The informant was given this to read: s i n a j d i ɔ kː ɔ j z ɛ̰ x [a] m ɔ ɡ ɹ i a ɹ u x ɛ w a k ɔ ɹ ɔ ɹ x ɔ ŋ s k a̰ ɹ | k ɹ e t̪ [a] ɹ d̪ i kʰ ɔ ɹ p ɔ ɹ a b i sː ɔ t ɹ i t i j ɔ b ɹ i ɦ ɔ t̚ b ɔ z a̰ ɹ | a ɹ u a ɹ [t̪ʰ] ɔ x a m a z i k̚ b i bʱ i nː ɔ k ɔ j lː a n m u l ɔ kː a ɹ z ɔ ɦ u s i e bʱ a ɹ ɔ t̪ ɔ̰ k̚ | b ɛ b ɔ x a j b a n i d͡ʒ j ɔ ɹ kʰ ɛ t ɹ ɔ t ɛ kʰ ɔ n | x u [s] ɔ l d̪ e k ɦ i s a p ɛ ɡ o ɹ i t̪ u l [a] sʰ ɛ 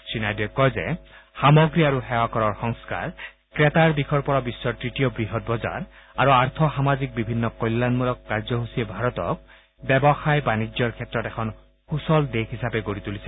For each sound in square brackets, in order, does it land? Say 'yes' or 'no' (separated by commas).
yes, yes, yes, yes, no